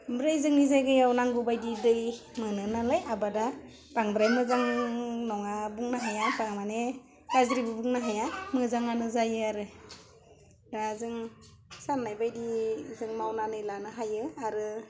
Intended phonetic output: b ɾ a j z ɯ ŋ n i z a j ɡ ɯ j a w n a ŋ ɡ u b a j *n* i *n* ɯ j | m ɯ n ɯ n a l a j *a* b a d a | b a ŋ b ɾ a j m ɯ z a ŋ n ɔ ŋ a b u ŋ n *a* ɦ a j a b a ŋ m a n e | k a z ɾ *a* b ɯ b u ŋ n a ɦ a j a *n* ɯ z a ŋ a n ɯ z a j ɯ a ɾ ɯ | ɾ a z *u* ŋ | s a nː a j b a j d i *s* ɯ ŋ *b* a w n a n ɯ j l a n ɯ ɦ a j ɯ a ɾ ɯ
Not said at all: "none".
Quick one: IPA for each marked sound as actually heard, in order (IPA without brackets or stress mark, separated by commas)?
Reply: d, d, a, a, i, m, ɯ, z, m